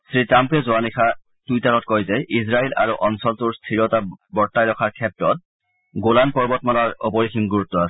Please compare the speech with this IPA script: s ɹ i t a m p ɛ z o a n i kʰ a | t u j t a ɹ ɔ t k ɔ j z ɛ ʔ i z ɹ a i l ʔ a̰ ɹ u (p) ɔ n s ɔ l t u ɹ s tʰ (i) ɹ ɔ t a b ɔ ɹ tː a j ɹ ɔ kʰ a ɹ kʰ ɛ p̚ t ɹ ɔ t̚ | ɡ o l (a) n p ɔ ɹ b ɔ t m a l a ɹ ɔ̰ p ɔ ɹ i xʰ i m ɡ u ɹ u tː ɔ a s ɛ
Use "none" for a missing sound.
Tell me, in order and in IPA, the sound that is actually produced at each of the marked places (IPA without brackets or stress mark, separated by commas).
ʔ, i, a